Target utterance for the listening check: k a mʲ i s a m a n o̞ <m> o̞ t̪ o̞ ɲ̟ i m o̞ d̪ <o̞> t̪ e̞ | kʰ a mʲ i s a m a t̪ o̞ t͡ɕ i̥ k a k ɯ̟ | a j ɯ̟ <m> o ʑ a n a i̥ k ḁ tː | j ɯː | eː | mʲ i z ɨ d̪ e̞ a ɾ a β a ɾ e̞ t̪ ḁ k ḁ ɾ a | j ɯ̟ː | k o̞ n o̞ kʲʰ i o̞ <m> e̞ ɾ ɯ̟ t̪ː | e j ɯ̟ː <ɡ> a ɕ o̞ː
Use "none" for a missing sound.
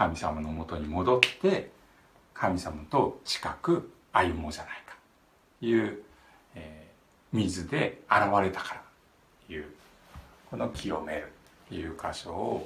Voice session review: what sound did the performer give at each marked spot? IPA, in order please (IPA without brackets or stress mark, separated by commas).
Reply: m, o̞, m, m, k